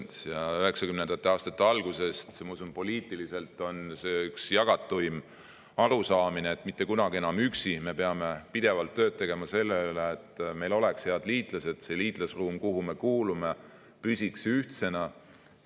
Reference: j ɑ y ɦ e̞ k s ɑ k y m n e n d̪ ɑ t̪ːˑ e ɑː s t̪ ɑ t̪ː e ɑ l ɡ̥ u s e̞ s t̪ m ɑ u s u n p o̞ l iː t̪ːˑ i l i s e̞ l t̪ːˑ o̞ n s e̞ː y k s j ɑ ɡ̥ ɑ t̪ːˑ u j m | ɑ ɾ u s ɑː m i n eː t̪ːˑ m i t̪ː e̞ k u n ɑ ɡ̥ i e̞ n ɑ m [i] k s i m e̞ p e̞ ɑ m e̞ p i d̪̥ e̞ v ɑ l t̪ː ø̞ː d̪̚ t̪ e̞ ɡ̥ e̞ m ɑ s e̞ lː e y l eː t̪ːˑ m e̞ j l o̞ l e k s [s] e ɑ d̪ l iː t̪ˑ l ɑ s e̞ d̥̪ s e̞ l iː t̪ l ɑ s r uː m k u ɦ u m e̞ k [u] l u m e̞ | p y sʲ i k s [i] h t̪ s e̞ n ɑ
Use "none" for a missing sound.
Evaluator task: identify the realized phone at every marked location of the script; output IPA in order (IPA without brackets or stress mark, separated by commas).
y, h, uː, y